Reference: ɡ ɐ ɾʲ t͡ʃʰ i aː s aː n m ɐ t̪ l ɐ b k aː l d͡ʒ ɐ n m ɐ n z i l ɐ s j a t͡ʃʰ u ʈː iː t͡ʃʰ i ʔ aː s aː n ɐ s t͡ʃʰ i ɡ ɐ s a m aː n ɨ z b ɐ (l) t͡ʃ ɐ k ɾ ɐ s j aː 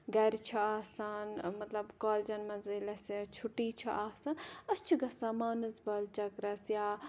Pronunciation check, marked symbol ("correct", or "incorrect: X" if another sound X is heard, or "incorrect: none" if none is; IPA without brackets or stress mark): correct